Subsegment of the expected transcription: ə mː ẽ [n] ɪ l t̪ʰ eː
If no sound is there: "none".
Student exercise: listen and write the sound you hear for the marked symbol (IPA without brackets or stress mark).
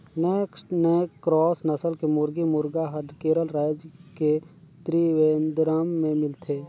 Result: m